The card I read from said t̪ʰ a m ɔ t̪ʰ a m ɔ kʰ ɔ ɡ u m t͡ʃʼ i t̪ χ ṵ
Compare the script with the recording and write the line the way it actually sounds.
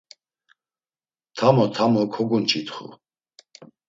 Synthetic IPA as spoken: t̪ʰ a m ɔ t̪ʰ a m ɔ kʰ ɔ ɡ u n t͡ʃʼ i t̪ χ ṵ